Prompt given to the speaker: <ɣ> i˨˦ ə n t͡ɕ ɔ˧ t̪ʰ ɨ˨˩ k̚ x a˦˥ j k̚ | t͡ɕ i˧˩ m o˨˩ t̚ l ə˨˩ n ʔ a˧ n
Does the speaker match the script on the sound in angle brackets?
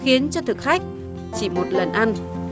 no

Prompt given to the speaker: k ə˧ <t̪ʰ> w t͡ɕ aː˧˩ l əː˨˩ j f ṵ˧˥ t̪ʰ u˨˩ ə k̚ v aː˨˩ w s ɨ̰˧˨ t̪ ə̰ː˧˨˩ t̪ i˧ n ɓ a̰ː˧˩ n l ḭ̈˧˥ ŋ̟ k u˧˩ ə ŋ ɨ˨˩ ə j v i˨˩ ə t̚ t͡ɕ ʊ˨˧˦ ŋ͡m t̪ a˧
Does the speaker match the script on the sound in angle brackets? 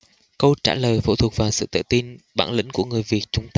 no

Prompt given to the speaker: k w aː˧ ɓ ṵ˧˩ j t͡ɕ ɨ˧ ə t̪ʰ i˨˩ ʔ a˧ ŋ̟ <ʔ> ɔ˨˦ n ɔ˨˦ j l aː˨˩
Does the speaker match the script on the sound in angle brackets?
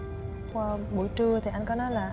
no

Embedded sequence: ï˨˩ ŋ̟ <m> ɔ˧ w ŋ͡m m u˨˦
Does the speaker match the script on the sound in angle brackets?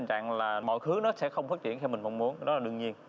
yes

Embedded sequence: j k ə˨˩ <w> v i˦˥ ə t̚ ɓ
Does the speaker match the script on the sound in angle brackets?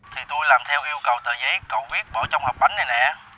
yes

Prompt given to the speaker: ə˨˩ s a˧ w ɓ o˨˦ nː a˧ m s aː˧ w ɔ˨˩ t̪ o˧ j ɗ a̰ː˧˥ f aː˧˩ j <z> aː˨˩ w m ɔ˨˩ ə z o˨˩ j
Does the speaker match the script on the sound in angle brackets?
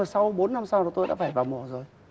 no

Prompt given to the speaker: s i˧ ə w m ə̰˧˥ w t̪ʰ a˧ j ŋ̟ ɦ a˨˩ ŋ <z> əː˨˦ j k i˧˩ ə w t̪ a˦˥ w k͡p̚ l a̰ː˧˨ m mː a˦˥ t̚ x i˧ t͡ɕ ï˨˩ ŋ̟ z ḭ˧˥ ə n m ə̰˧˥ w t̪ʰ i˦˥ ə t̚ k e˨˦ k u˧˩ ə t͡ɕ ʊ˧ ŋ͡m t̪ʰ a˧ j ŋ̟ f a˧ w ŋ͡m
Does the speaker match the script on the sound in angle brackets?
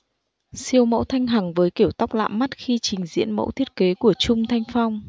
no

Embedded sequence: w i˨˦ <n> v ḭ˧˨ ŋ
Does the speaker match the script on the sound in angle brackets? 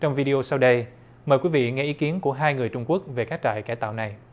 no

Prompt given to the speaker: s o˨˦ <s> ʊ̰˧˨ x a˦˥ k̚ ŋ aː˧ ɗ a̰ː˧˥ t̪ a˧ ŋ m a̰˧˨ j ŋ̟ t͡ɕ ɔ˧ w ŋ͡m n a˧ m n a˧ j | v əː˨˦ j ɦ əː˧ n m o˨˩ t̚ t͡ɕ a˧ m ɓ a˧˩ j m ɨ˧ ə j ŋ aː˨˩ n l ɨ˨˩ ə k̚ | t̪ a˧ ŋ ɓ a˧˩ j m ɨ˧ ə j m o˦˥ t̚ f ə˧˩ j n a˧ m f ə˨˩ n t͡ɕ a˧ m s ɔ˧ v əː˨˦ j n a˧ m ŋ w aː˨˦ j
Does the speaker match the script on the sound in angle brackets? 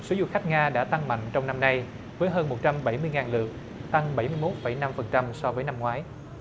no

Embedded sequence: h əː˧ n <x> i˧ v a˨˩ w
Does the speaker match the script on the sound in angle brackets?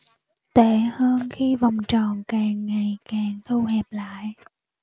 yes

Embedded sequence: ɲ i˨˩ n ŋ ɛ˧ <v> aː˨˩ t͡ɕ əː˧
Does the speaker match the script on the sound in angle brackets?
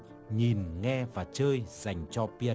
yes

